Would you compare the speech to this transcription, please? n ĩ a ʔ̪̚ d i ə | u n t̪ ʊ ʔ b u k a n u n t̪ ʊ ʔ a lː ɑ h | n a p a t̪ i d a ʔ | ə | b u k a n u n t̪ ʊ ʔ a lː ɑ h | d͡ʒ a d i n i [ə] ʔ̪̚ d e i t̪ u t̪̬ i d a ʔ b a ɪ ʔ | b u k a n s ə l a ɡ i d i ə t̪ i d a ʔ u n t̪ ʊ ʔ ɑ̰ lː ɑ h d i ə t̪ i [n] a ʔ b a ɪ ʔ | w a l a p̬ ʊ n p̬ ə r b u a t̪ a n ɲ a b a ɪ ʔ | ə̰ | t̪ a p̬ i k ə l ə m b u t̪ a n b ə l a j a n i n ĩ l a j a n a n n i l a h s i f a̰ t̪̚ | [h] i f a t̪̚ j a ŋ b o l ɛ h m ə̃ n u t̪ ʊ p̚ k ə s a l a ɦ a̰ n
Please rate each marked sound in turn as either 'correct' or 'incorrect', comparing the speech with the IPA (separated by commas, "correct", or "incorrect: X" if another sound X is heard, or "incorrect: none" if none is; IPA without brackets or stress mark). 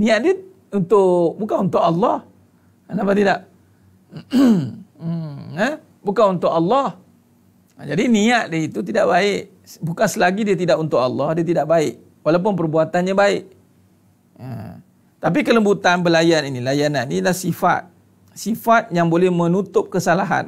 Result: incorrect: a, incorrect: d, incorrect: s